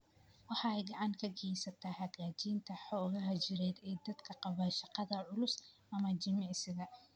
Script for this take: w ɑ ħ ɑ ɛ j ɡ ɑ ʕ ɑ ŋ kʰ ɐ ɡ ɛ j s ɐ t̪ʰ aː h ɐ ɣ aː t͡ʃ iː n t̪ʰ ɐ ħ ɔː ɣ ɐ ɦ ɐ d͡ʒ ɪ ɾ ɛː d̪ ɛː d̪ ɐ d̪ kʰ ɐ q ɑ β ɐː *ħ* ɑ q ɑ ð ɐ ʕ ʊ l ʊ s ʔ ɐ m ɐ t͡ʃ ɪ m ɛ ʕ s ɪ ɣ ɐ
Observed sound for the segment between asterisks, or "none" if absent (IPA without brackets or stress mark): ʃ